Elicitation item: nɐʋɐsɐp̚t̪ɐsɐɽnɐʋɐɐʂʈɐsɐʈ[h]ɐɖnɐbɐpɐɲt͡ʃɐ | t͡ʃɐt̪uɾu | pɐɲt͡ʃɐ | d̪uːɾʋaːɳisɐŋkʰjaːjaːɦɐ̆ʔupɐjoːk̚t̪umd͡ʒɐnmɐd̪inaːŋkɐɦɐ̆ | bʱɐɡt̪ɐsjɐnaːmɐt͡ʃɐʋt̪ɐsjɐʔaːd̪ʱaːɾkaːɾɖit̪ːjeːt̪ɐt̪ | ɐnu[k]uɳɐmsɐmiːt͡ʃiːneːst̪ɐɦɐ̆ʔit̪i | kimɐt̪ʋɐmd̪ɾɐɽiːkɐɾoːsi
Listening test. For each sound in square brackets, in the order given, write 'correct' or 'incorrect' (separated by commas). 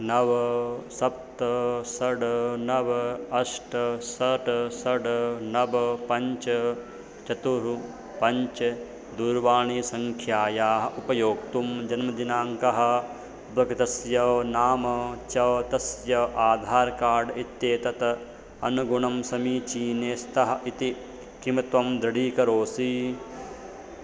incorrect, incorrect